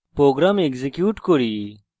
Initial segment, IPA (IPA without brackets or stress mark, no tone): p